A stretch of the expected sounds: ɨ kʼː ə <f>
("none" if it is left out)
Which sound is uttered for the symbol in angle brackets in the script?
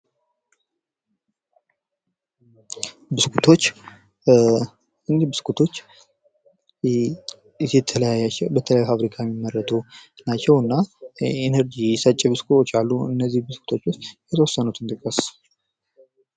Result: s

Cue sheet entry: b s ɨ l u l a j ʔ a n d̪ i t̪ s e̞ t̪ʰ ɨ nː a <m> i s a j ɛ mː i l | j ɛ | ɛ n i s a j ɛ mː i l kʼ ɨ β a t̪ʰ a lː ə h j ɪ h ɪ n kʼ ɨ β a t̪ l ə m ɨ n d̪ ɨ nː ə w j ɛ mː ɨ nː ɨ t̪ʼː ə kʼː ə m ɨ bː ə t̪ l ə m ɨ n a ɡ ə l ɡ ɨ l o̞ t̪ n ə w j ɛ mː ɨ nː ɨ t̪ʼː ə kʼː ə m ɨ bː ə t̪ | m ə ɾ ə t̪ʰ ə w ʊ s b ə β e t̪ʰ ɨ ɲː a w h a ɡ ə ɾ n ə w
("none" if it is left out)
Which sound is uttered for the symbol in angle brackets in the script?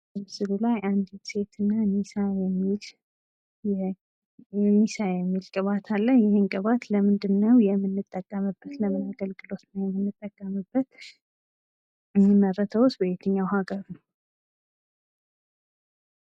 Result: n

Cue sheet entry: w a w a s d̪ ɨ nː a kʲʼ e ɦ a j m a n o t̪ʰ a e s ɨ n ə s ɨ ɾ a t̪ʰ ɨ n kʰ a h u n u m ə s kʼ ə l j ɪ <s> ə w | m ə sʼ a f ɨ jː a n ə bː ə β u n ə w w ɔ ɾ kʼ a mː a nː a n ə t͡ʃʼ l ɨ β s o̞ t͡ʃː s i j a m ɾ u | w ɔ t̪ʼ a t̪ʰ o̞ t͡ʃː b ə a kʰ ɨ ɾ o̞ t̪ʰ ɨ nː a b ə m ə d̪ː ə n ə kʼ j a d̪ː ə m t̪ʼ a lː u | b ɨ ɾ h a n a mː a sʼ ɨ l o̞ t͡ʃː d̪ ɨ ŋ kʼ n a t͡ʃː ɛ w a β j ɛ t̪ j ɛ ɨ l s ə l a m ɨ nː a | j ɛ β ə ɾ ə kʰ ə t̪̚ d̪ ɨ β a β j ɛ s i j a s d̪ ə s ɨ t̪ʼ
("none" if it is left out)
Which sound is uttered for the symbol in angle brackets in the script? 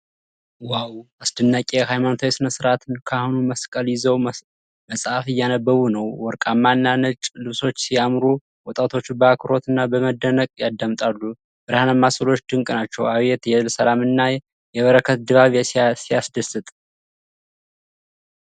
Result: z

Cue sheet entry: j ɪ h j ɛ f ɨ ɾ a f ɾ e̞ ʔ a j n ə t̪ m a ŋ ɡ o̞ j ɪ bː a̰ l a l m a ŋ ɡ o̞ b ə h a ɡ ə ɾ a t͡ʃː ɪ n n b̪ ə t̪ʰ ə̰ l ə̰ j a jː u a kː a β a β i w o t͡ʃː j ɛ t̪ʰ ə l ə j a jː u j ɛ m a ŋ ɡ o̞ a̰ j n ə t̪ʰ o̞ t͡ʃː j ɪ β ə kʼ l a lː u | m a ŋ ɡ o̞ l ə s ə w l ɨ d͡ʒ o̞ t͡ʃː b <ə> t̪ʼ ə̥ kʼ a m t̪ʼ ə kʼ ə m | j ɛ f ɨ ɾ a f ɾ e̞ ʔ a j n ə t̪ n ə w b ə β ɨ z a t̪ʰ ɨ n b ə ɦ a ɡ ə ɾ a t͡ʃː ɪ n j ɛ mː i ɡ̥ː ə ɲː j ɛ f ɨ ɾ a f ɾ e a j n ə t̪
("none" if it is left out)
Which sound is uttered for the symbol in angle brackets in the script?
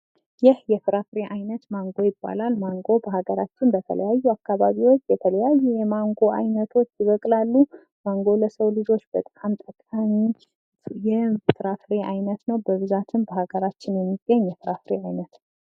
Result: ə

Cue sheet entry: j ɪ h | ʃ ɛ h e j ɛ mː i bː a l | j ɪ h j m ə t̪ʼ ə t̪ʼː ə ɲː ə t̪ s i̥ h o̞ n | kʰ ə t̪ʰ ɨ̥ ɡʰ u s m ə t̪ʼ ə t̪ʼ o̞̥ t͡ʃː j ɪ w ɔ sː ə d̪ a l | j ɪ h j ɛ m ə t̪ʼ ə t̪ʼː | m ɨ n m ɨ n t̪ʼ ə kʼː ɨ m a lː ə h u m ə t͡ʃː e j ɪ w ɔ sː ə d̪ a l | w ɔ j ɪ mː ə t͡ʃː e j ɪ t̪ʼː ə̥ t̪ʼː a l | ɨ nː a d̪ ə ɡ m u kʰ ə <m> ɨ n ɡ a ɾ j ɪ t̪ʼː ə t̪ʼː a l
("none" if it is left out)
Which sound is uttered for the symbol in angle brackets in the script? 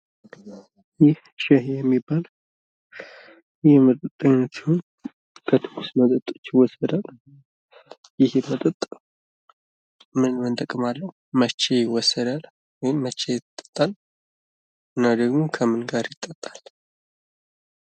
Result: m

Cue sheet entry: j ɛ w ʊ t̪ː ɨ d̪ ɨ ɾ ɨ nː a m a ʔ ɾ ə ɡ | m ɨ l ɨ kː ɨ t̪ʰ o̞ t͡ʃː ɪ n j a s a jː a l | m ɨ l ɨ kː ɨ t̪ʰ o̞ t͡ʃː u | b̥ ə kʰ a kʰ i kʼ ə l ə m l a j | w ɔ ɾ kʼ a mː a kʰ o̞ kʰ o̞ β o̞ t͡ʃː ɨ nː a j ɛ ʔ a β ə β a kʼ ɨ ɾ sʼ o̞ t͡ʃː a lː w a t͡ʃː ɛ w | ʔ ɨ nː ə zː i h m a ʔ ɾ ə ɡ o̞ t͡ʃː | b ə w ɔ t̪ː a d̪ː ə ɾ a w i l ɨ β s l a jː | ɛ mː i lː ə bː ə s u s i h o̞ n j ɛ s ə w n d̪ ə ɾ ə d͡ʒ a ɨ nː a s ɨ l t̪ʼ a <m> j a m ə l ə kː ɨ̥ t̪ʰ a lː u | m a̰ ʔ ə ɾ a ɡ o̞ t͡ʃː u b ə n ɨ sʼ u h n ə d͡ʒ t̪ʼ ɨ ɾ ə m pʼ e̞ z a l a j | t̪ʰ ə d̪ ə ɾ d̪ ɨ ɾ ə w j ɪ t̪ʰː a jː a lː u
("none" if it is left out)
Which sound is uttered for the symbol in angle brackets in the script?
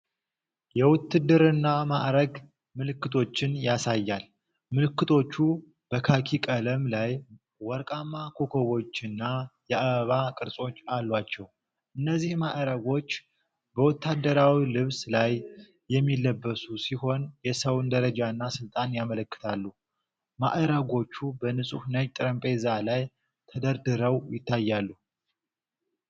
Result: n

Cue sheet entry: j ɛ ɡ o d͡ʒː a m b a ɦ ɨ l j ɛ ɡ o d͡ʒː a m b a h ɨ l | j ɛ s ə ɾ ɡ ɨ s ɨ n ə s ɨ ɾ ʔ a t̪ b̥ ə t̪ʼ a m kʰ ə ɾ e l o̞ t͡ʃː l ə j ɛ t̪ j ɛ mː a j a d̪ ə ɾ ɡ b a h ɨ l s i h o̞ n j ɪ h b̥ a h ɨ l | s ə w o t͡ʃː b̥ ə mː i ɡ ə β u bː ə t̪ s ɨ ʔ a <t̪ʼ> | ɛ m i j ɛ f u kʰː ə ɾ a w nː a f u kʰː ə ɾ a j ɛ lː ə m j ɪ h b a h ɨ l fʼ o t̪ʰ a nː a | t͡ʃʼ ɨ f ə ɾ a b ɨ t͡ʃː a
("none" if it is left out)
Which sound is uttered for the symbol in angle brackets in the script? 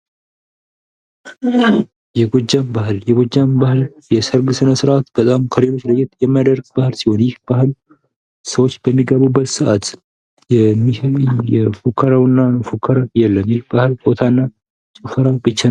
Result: t̪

